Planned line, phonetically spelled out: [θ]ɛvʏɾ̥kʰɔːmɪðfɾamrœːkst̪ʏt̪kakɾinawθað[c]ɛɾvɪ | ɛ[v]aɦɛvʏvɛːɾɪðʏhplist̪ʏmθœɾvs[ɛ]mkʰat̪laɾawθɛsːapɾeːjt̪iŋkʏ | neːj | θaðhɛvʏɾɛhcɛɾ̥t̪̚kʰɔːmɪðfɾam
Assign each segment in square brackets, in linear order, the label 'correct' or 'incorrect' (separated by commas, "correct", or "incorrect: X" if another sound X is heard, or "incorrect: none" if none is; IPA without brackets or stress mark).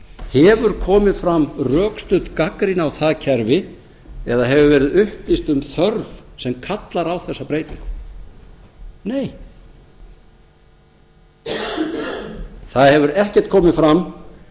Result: incorrect: h, incorrect: cʰ, incorrect: ð, correct